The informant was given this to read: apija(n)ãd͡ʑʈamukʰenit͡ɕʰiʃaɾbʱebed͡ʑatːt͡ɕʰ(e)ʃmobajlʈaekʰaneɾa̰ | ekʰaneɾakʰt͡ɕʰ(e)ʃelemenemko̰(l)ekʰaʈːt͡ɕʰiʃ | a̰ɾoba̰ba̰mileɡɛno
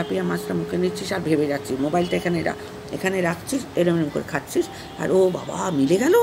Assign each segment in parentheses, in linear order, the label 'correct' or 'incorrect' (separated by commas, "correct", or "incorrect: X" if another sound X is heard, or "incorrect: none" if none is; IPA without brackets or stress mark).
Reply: incorrect: m, incorrect: i, incorrect: i, incorrect: ɾ